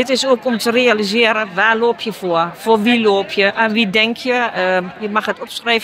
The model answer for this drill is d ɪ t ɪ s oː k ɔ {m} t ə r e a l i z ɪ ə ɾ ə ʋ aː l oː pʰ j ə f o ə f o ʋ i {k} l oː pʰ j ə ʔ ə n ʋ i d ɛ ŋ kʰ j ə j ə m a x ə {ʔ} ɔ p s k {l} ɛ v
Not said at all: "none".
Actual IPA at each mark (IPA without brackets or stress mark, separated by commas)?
m, none, t, r